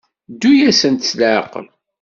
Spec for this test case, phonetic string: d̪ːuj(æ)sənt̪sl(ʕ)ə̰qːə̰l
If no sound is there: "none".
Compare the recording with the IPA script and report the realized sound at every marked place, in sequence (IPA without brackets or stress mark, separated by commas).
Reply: æ, ʕ